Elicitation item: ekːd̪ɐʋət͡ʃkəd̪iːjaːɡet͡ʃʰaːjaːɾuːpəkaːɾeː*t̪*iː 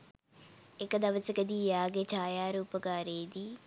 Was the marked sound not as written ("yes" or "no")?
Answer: yes